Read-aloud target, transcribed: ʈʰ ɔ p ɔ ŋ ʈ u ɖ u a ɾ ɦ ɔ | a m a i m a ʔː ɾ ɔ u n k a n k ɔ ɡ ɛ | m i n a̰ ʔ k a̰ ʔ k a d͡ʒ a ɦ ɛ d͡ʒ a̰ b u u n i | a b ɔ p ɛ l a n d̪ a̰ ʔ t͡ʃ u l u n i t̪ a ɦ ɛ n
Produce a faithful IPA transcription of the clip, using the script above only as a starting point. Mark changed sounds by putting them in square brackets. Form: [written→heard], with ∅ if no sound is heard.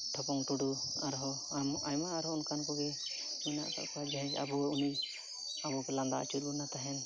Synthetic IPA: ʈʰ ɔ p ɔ ŋ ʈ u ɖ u a ɾ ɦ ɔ | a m a [i→j] m a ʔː ɾ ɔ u n k a n k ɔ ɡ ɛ | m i n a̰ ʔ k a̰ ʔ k a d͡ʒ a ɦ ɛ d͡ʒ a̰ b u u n i | a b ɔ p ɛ l a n d̪ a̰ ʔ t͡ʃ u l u n [i→a] t̪ a ɦ ɛ n